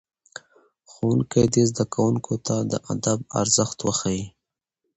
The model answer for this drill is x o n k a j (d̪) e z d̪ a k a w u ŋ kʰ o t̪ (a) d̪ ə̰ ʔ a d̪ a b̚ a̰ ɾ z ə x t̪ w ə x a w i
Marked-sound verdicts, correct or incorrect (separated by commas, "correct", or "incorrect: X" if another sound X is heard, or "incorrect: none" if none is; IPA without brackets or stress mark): correct, correct